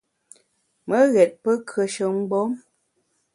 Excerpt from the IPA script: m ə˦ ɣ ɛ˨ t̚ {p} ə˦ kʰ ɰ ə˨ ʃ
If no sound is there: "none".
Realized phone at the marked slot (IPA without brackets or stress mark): p